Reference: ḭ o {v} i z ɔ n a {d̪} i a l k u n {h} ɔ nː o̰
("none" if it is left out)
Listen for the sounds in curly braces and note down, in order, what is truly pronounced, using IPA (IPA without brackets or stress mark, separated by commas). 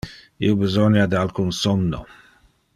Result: b, d̪, s